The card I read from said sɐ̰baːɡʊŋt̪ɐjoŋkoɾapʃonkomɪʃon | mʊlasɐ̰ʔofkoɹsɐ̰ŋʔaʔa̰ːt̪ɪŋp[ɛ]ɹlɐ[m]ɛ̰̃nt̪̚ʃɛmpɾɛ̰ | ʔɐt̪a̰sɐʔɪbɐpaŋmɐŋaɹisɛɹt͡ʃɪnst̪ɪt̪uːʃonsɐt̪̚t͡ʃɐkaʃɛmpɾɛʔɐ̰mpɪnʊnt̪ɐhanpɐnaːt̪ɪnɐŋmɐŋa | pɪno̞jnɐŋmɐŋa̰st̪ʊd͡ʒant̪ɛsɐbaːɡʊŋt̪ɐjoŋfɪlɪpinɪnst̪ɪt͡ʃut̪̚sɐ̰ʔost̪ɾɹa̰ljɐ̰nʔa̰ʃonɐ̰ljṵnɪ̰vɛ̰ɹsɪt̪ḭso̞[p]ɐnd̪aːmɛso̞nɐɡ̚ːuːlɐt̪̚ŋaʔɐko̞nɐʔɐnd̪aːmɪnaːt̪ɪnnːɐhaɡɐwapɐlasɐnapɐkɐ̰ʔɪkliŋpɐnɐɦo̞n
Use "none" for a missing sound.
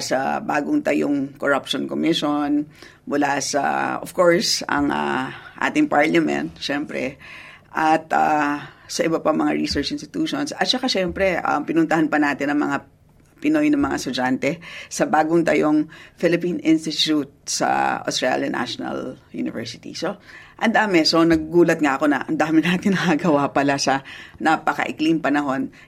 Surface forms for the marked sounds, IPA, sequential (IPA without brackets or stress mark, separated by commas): a, m, ʔ